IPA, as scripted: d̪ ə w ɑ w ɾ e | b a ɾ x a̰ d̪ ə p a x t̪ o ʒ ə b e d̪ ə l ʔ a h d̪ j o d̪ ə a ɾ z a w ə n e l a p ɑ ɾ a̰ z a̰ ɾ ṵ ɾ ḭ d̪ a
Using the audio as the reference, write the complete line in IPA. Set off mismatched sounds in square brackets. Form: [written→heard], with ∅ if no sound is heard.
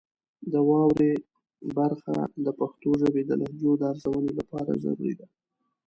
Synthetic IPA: d̪ ə w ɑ w ɾ e | b a ɾ x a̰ d̪ ə p a x t̪ o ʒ ə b e d̪ ə l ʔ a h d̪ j o d̪ ə a ɾ z a w ə n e l a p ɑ ɾ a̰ z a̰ ɾ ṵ ɾ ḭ d̪ a